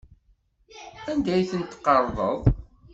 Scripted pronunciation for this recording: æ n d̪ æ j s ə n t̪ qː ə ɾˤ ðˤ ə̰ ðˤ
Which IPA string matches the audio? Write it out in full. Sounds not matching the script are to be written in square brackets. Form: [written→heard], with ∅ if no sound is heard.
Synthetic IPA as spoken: æ n d̪ æ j [s→θ] ə n t̪ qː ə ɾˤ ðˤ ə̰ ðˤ